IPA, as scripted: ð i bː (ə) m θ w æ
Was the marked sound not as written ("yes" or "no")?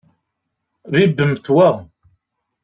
no